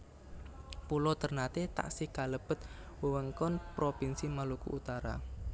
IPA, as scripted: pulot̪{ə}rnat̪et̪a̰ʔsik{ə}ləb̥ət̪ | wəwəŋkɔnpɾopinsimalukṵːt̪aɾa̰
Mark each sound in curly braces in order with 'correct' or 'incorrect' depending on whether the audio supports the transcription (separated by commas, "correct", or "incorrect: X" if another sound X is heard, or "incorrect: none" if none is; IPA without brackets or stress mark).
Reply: correct, incorrect: a